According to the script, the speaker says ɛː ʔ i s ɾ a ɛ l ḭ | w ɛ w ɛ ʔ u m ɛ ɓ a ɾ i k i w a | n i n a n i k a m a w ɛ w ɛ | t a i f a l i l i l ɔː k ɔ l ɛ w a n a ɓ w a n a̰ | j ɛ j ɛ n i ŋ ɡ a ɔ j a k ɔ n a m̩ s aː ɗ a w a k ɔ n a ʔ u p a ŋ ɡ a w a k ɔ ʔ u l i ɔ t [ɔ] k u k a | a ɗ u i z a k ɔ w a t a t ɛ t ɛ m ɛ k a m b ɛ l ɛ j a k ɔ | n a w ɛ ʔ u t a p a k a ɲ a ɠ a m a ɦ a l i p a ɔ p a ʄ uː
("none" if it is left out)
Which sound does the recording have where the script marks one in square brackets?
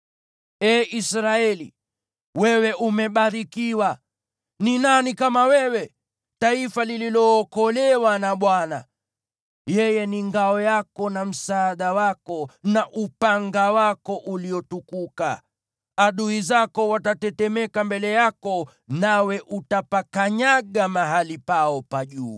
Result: u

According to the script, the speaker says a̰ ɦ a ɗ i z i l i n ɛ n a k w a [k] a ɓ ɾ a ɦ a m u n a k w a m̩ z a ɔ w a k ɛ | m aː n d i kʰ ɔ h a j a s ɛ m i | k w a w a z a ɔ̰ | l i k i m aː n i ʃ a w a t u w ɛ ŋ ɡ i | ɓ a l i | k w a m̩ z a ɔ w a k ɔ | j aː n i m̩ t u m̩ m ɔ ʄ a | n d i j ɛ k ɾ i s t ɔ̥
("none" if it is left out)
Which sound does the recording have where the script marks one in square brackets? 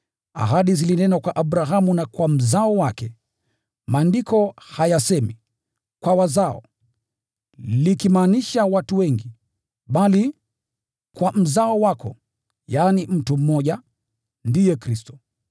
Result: ʔ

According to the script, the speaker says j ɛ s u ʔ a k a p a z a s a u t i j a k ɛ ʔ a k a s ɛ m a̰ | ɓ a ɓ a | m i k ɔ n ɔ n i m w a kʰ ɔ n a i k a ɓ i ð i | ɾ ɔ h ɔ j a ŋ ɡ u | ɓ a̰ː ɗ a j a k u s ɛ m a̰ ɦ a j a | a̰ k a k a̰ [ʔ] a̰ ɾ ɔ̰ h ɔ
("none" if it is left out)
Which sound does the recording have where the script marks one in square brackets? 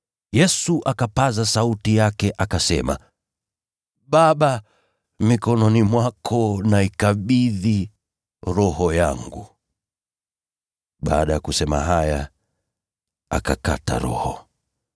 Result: t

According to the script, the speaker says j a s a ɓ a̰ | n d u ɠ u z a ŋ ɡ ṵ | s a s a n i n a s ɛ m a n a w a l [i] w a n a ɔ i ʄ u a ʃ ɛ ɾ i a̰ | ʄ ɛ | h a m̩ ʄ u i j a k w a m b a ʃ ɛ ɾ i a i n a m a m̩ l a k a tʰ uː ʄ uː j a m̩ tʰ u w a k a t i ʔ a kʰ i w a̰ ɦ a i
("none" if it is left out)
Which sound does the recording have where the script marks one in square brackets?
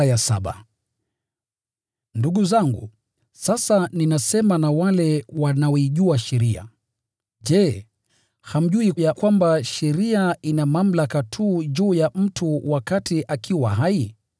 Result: ɛ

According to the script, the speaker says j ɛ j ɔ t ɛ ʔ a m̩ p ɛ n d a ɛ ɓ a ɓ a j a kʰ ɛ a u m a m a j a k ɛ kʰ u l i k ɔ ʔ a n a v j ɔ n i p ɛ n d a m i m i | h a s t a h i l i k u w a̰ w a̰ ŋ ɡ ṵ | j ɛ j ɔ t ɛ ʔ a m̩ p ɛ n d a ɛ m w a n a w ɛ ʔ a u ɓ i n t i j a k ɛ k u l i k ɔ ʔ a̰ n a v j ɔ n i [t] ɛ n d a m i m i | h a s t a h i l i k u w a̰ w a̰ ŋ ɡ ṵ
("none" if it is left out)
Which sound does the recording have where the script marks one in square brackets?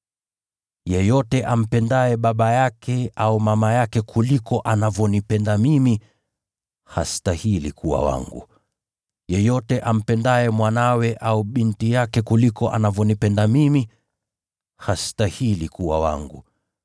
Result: p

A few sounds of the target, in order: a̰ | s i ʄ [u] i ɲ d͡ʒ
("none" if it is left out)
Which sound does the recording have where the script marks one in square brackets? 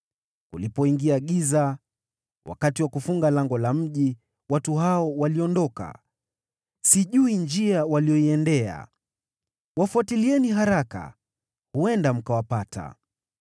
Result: u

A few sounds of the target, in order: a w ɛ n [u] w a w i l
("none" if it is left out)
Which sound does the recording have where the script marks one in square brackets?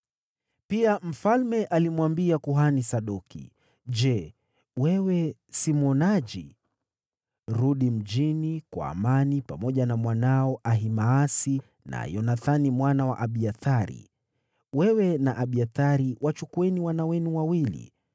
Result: u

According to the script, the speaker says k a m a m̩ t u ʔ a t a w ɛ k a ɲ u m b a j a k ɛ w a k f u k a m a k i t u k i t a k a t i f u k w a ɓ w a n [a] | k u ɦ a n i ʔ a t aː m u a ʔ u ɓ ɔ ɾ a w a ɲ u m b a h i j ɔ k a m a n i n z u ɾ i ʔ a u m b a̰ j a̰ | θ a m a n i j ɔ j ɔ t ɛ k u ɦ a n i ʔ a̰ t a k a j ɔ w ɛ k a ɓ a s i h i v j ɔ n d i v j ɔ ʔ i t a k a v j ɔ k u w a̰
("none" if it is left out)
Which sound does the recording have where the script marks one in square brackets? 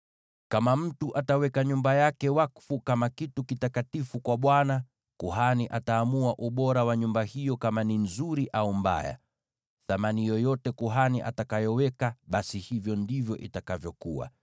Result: a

